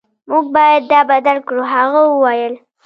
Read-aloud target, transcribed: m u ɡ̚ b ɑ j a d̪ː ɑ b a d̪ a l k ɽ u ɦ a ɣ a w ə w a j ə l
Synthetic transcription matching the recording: m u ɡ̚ b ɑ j a d̪ː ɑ b a d̪ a l k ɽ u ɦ a ɣ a w ə w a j ə l